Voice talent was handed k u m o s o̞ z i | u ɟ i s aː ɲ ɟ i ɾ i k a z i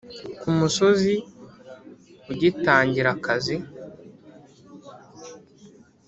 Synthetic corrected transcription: k u m u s o̞ z i | u ɟ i t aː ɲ ɟ i ɾ a k a z i